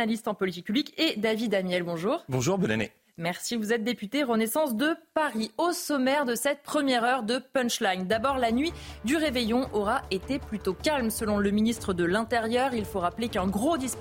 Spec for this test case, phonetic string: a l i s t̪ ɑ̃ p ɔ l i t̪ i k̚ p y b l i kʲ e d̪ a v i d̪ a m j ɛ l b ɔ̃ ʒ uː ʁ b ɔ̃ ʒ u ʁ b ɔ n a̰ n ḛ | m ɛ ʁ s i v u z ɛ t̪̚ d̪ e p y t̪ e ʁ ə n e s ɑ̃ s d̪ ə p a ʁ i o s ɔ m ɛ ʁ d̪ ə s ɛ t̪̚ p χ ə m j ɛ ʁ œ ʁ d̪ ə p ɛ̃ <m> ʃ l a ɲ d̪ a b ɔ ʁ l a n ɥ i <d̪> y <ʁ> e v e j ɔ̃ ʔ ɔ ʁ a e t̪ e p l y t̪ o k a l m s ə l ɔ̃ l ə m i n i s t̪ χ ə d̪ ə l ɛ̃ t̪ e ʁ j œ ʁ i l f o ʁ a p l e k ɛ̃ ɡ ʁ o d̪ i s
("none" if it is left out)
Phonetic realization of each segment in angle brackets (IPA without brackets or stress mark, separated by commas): n, d̪, ʁ